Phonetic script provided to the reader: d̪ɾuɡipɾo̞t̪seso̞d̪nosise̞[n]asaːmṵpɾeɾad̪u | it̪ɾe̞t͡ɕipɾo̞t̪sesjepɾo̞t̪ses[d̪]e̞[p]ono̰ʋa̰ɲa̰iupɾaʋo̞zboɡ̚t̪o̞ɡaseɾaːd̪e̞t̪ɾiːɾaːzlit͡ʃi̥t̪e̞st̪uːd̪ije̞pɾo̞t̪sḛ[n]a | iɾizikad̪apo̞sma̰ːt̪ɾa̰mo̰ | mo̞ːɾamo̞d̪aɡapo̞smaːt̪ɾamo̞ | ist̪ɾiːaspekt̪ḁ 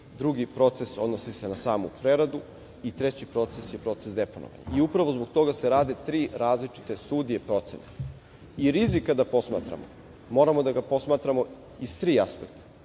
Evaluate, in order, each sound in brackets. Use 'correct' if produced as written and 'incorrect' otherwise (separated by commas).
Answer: correct, correct, correct, correct